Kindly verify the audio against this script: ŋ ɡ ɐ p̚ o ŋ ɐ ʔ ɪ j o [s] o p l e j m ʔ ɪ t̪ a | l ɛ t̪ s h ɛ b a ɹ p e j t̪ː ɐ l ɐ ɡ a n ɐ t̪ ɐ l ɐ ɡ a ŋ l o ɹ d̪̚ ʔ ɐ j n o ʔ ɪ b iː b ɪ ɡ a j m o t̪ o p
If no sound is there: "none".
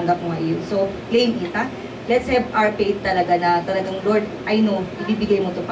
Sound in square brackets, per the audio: s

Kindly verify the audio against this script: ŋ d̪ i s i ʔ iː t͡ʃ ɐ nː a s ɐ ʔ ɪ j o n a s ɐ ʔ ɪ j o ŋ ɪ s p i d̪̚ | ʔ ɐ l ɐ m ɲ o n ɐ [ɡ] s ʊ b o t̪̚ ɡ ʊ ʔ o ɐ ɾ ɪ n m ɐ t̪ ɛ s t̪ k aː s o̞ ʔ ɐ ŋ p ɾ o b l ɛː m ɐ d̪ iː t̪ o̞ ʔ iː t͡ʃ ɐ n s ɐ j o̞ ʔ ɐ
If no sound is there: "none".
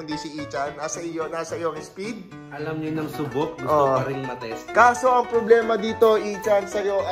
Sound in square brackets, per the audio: ŋ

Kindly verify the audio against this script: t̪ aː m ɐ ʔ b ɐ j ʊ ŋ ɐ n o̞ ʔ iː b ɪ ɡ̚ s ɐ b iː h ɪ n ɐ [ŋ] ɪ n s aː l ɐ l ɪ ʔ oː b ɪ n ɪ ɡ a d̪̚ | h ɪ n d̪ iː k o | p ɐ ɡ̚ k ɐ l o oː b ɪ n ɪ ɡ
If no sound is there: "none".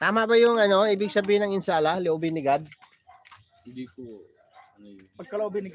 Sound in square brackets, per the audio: ŋ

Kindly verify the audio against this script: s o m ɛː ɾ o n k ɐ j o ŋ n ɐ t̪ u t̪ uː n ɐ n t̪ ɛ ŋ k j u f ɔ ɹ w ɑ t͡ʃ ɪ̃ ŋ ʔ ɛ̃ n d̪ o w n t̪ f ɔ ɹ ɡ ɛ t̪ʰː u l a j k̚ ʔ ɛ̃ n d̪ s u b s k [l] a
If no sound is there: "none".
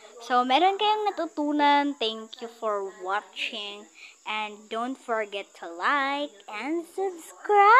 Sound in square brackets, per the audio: ɹ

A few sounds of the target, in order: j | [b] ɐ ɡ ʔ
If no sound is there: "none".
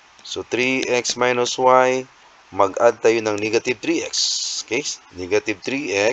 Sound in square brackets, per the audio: m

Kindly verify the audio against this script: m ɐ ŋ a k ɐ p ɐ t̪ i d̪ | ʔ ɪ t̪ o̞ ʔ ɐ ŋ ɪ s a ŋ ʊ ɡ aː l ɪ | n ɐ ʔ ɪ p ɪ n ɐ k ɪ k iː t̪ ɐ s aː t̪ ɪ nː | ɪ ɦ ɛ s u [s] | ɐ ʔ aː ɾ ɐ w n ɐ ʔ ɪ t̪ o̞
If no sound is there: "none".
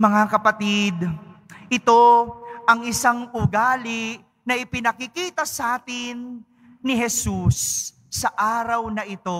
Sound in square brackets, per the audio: sː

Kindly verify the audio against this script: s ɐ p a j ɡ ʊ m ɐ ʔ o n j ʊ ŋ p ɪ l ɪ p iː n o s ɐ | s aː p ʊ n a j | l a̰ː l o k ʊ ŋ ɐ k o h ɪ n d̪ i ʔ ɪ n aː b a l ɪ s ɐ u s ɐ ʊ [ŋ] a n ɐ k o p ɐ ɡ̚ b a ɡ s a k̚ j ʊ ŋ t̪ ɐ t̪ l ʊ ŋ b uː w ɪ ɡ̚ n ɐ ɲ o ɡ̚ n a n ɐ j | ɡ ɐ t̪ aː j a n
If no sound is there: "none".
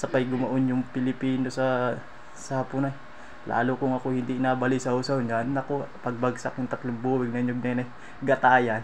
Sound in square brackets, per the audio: ɲ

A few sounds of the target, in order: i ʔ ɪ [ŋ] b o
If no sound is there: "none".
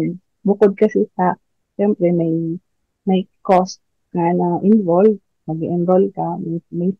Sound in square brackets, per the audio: n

